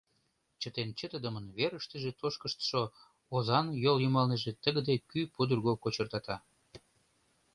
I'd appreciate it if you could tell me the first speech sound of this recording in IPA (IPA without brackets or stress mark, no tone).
t͡ɕ